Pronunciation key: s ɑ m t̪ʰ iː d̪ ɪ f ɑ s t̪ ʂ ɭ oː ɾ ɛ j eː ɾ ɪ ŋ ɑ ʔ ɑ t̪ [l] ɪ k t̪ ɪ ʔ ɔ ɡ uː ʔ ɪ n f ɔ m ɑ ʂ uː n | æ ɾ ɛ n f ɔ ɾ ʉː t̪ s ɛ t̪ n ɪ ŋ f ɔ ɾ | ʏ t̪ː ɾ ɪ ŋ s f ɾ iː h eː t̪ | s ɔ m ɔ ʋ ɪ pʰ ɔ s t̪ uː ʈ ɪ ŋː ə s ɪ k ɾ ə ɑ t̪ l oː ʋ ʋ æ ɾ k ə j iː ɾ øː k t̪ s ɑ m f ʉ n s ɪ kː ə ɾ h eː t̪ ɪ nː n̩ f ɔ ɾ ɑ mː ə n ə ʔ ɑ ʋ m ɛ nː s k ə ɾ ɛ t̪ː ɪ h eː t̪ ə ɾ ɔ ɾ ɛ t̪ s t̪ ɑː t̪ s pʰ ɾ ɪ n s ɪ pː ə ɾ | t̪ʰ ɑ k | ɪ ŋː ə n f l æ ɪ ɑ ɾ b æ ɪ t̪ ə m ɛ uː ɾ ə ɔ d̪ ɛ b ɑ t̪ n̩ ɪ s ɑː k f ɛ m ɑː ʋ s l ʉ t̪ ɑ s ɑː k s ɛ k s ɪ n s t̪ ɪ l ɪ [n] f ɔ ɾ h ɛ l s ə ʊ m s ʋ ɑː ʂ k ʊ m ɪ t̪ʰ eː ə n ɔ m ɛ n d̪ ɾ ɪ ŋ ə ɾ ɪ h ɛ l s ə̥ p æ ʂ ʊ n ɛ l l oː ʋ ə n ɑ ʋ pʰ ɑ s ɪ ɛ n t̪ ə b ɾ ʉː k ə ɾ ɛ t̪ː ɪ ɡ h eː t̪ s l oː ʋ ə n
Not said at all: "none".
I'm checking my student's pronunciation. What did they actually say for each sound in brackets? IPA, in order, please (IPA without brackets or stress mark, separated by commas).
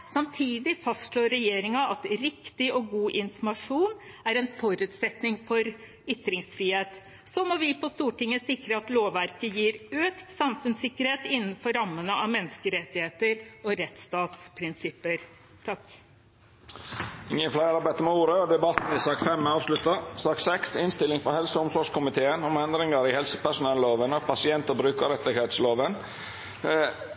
ɾ, ŋ